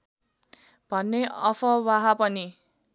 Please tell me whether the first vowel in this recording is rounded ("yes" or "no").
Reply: no